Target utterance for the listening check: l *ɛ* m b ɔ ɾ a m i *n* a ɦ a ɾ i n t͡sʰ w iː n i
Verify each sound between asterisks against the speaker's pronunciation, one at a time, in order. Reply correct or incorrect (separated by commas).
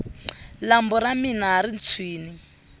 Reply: incorrect, correct